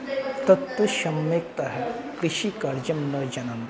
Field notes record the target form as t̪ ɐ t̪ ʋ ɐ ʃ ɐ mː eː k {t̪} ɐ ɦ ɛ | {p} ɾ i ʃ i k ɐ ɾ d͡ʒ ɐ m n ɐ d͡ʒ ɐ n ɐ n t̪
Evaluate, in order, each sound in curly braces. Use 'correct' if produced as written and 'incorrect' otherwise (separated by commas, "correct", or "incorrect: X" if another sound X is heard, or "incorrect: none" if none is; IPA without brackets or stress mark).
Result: correct, incorrect: k